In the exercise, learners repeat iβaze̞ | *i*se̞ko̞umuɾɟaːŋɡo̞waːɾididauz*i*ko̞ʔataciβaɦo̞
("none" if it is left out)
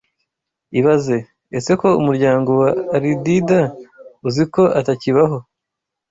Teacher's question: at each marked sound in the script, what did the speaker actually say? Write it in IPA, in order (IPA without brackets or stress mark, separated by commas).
e, i